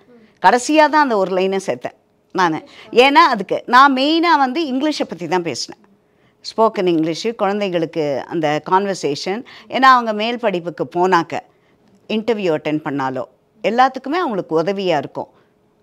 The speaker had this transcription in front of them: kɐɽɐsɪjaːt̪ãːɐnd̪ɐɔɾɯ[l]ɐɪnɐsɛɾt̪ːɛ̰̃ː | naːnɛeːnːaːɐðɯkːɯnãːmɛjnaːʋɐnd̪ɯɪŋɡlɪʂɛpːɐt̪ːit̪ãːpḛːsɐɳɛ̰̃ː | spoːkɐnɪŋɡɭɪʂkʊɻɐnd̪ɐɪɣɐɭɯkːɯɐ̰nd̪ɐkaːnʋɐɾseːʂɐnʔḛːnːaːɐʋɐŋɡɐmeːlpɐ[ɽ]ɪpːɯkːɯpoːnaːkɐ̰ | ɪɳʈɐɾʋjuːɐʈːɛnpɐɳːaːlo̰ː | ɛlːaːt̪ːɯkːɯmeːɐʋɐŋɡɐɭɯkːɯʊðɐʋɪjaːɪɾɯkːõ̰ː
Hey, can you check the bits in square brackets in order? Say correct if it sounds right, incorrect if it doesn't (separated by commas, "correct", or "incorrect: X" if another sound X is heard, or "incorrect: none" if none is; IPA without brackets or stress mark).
correct, correct